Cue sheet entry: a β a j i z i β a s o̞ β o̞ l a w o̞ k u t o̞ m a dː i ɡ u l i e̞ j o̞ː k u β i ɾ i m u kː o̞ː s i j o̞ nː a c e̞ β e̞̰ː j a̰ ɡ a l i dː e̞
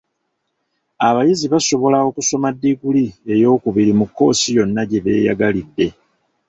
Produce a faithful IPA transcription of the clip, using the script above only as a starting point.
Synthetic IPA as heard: a β a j i z i β a s o̞ β o̞ l a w o̞ k u s o̞ m a dː i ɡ u l i e̞ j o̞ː k u β i ɾ i m u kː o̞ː s i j o̞ nː a ɟ e̞ β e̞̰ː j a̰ ɡ a l i dː e̞

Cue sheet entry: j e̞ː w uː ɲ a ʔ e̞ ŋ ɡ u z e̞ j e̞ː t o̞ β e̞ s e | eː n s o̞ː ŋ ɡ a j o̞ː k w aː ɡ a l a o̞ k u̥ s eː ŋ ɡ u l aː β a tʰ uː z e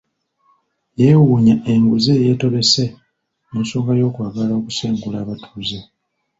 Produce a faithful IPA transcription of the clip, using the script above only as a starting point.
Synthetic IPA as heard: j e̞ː w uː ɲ a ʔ e̞ ŋ ɡ u z e̞ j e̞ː t o̞ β e̞ s e | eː n s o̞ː ŋ ɡ a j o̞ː k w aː ɡ a l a o̞ k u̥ s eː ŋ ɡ u l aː β a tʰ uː z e

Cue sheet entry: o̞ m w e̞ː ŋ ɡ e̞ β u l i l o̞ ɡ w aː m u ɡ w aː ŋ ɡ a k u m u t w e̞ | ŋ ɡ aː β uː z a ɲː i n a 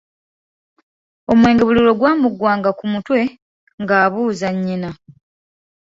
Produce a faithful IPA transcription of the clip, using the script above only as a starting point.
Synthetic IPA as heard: o̞ m w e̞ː ŋ ɡ e̞ β u l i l o̞ ɡ w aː m u ɡ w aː ŋ ɡ a k u m u t w e̞ | ŋ ɡ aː β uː z a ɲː i n a

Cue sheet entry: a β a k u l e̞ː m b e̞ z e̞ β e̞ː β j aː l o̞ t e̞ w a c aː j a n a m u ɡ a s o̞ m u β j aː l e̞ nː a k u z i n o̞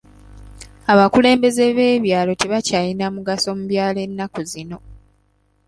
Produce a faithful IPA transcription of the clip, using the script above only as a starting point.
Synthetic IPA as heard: a β a k u l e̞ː m b e̞ z e̞ β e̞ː β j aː l o̞ t e̞ β a c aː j i n a m u ɡ a s o̞ m u β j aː l e̞ nː a k u z i n o̞

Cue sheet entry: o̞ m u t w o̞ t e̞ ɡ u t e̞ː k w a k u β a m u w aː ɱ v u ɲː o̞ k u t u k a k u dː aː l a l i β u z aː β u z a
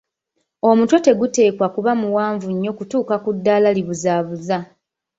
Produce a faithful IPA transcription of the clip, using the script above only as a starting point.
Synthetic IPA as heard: o̞ m u t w o̞ t e̞ ɡ u t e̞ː k w a k u β a m u w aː ɱ v u ɲː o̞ k u t uː k a k u dː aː l a l i β u z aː β u z a

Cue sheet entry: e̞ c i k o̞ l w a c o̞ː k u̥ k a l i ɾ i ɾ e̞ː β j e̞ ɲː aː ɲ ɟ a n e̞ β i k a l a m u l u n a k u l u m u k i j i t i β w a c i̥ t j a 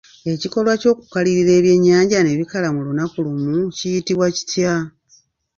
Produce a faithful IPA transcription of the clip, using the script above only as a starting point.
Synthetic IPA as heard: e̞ c i k o̞ l w a c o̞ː k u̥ k a l i ɾ i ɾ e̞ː β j e̞ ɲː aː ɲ ɟ a n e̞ β i k a l a m u l u n a k u l u m u c i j i t i β w a c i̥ t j a

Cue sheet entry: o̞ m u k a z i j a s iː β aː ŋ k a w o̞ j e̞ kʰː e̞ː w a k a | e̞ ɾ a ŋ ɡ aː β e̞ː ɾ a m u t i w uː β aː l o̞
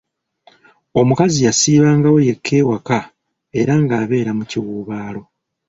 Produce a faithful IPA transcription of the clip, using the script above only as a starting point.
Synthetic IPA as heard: o̞ m u k a z i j a s iː β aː ŋ ɡ a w o̞ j e̞ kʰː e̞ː w a k a | e̞ ɾ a ŋ ɡ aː β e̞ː ɾ a m u c i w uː β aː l o̞

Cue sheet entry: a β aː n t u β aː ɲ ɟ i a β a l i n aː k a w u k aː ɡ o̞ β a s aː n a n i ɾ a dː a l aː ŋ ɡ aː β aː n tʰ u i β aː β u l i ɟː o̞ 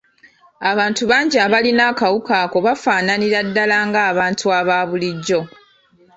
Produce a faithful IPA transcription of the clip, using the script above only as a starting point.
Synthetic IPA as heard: a β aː n t u β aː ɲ ɟ i a β a l i n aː k a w u k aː k o̞ β a f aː n a n i ɾ a dː a l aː ŋ ɡ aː β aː n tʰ u a β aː β u l i ɟː o̞

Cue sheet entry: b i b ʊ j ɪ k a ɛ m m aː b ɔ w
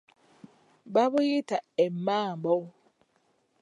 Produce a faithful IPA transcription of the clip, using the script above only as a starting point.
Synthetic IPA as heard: b a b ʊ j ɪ t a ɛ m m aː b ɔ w

